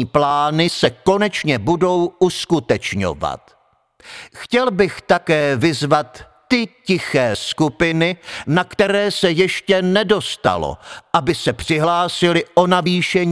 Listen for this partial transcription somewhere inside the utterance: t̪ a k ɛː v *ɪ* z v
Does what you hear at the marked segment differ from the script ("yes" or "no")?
no